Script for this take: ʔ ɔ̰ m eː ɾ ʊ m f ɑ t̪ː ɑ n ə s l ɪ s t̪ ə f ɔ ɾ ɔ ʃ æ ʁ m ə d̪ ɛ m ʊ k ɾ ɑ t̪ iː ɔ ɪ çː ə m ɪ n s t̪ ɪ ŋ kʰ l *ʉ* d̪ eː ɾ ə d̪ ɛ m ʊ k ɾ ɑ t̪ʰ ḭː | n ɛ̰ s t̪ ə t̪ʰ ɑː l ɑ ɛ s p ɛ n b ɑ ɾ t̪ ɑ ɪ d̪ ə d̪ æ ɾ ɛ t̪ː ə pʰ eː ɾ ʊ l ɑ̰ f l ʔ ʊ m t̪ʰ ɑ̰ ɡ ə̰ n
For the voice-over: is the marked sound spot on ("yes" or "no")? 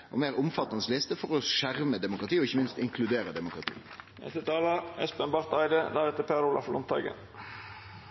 yes